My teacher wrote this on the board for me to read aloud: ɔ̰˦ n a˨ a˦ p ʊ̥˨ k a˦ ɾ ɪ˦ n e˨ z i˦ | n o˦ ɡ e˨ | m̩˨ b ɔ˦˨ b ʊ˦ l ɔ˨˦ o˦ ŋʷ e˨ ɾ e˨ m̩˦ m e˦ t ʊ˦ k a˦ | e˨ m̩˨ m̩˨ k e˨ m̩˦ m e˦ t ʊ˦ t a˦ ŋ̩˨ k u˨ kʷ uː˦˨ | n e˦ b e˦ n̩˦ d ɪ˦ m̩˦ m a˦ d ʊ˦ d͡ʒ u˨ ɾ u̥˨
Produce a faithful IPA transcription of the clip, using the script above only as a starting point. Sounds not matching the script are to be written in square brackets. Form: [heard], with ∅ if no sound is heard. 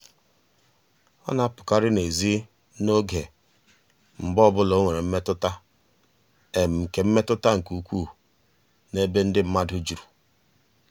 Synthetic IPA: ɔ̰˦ n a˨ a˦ p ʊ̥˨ k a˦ ɾ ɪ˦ n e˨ z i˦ | n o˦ ɡ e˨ | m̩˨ b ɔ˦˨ b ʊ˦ l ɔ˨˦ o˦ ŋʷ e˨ ɾ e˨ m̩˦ m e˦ t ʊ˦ [t] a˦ | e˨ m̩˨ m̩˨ k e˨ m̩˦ m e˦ t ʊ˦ t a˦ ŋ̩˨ k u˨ kʷ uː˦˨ | n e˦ b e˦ n̩˦ d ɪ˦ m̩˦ m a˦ d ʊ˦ d͡ʒ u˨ ɾ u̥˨